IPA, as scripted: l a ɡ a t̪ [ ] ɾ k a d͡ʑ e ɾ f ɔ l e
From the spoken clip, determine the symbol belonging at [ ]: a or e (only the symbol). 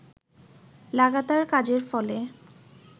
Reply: a